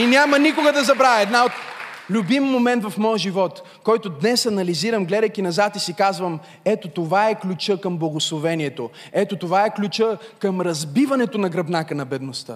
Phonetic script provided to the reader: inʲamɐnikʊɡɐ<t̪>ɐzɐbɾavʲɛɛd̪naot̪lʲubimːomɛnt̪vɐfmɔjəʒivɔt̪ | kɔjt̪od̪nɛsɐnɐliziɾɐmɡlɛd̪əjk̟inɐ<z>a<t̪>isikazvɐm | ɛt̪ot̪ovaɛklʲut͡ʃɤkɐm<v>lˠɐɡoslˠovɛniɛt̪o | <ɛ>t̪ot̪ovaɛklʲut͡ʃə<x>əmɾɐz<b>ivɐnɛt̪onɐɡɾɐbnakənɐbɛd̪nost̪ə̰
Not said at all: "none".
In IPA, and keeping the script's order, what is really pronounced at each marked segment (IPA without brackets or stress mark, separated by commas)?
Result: d̪, z, t̪, b, ɛ, k, b